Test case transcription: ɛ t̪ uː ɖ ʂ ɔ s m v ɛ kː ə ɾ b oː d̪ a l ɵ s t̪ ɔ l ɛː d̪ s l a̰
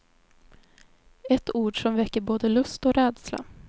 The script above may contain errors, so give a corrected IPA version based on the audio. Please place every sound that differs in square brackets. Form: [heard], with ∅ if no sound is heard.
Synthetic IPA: ɛ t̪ uː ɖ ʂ ɔ [∅] m v ɛ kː ə ɾ b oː d̪ [ə] l ɵ s t̪ ɔ [ɾ] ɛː d̪ s l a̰